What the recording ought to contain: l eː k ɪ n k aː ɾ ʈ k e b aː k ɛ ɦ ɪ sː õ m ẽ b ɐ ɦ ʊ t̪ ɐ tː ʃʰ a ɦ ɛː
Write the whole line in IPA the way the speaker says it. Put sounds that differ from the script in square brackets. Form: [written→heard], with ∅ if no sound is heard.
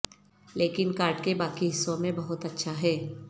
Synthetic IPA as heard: l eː k ɪ n k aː ɾ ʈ k e b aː k [ɛ→i] ɦ ɪ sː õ m ẽ b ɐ ɦ ʊ t̪ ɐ tː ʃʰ a ɦ ɛː